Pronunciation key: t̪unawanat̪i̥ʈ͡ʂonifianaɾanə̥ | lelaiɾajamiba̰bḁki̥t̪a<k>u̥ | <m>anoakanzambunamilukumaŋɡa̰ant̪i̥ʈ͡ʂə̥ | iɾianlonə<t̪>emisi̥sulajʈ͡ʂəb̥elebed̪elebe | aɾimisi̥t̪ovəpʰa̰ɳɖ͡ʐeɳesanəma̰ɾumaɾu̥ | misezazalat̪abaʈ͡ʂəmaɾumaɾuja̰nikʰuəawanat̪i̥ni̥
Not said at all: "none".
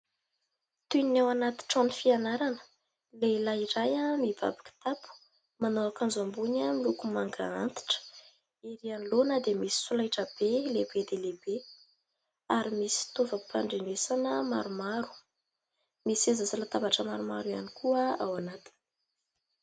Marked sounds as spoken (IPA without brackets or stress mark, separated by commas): p, m, d̪